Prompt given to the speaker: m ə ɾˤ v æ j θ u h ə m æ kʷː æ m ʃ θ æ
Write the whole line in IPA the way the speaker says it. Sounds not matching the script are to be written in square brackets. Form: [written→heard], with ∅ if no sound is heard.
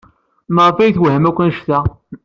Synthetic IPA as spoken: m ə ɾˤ [v→f] æ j θ [u→w] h ə m æ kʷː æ [m→n] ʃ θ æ